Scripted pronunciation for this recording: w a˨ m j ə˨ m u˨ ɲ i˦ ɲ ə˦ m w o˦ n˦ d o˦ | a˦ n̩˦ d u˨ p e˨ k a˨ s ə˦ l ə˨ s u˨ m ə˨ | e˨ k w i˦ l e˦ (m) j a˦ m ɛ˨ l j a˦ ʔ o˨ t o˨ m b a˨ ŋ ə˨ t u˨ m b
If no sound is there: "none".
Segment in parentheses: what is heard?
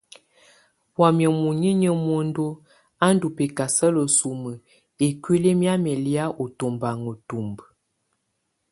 m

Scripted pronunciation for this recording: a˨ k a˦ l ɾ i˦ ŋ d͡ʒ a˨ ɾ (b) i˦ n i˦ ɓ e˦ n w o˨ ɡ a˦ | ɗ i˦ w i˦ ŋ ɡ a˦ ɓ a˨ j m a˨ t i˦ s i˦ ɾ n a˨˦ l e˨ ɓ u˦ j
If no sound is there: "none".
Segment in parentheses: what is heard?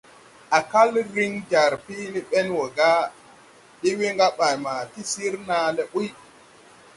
p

